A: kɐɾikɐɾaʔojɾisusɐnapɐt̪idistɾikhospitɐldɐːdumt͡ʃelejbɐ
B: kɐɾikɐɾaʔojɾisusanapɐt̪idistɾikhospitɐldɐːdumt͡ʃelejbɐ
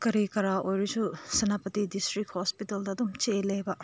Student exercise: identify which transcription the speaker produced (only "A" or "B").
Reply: A